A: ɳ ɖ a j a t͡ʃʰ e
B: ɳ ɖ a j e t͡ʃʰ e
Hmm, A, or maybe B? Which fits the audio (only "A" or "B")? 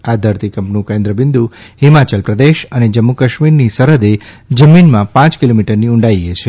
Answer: B